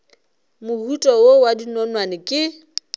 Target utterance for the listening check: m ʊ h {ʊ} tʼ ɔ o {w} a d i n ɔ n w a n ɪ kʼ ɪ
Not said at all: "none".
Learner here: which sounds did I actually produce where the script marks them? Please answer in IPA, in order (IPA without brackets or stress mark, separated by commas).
u, w